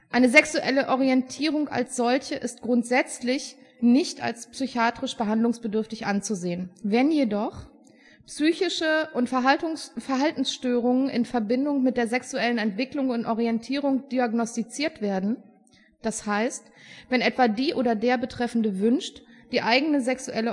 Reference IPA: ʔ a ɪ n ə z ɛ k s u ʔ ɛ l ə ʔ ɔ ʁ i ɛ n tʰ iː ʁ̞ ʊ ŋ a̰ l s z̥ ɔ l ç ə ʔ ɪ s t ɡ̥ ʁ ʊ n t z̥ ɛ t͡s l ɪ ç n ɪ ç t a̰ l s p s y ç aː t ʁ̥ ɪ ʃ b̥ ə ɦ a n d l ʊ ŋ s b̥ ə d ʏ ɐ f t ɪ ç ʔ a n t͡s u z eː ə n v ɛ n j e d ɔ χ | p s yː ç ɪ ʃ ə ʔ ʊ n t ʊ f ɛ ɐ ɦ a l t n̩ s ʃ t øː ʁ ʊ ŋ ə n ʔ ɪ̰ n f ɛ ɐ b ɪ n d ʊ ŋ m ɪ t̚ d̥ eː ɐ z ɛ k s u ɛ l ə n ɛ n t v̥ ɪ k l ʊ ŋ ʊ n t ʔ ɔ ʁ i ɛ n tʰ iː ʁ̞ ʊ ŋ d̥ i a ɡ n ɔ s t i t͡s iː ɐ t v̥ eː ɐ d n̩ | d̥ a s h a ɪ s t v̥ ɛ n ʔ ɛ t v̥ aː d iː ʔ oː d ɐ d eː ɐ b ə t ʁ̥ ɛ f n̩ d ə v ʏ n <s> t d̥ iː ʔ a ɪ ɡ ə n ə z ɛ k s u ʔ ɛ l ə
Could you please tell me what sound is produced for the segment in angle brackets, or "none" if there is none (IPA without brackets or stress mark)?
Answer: ʃ